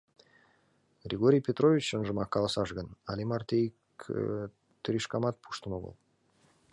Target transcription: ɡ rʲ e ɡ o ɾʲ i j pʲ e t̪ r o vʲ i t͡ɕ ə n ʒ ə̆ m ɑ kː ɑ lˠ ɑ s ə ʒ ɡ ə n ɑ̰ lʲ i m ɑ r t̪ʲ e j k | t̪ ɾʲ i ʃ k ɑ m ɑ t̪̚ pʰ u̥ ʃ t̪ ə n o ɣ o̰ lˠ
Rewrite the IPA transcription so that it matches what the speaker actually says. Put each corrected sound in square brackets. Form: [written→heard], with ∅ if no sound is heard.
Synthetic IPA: ɡ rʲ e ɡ o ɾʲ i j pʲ e t̪ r o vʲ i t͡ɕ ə n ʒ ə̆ m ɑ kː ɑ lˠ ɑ s [ə→ɑ] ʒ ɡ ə n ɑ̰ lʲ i m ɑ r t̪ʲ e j k | t̪ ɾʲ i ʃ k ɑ m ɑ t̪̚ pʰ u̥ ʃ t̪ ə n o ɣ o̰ lˠ